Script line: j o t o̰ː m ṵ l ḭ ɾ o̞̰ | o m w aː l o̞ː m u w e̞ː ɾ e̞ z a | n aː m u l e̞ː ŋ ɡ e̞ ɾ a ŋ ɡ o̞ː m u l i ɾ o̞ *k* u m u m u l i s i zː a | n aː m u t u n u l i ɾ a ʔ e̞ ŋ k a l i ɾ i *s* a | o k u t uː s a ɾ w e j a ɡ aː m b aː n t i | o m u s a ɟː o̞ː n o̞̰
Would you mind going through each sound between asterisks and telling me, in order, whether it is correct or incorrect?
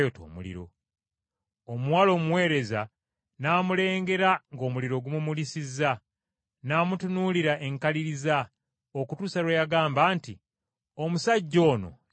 incorrect, incorrect

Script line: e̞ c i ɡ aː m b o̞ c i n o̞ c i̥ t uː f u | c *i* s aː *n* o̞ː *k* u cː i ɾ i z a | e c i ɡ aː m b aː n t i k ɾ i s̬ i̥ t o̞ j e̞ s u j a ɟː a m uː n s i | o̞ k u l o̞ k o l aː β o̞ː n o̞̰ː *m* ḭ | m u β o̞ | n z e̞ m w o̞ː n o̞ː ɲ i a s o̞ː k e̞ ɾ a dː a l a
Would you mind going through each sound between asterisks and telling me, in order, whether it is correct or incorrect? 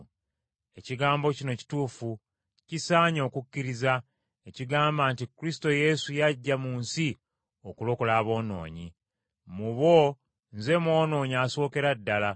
correct, incorrect, correct, incorrect

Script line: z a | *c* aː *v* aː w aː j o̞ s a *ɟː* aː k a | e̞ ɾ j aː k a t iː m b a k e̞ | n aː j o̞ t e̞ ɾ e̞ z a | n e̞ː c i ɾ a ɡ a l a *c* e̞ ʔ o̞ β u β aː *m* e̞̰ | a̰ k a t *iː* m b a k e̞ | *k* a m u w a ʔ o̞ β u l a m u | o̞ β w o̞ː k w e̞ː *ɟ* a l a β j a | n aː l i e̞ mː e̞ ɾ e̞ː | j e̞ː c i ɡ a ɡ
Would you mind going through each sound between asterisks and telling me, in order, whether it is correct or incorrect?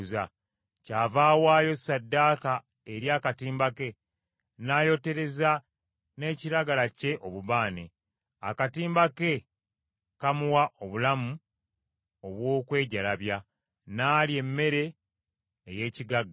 correct, correct, incorrect, correct, incorrect, correct, correct, correct

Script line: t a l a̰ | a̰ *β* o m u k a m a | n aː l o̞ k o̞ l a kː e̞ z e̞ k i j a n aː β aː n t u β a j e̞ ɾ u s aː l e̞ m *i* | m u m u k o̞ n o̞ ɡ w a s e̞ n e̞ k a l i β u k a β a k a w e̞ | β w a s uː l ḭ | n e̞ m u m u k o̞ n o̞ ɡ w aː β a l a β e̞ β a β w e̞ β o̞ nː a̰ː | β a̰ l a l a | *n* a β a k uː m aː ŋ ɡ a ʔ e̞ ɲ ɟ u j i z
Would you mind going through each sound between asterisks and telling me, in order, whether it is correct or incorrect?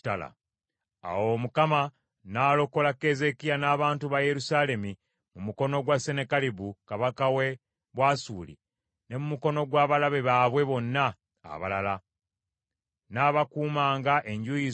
incorrect, correct, correct

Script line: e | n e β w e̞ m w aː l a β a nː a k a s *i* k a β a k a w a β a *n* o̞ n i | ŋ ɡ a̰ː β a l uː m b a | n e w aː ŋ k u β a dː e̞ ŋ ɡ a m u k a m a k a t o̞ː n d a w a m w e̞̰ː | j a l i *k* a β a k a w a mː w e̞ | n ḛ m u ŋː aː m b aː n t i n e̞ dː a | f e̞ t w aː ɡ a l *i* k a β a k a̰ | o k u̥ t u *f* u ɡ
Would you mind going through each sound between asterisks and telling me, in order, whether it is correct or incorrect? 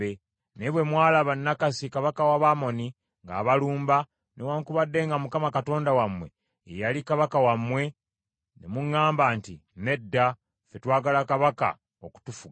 correct, incorrect, correct, incorrect, correct

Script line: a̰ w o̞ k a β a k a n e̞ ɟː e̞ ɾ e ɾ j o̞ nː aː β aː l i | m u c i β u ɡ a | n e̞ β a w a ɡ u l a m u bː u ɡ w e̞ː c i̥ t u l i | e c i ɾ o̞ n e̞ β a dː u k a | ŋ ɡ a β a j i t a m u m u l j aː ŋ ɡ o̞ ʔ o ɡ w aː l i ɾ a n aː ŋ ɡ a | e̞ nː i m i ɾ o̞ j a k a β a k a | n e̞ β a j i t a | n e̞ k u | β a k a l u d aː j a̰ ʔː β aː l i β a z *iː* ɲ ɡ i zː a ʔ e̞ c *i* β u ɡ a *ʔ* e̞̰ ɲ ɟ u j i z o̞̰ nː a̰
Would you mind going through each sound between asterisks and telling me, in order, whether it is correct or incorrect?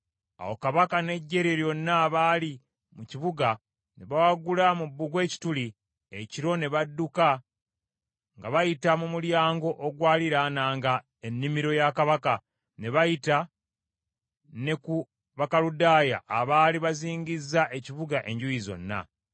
correct, correct, correct

